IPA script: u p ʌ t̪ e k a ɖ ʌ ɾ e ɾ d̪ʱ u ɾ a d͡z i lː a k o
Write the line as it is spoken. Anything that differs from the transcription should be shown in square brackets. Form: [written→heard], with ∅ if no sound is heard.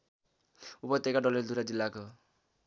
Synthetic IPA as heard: u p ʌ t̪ e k a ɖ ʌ [ɾ→l] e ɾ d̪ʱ u ɾ a d͡z i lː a k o